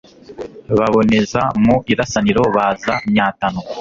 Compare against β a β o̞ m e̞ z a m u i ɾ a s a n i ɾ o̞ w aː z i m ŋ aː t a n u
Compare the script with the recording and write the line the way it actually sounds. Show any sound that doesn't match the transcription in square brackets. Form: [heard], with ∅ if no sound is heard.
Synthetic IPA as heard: β a β o̞ [n] e̞ z a m u i ɾ a s a n i ɾ o̞ [β] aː z [a] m [ɲ] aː t a n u